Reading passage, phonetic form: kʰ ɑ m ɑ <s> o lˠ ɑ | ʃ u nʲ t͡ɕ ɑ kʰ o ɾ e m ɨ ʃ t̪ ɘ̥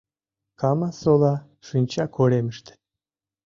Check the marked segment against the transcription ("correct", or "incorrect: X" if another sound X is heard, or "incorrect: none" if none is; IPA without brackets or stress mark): correct